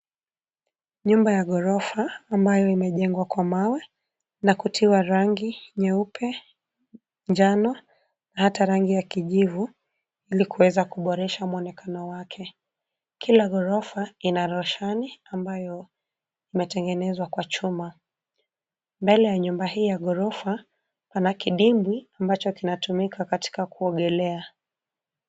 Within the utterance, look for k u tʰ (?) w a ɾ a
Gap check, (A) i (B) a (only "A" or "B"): A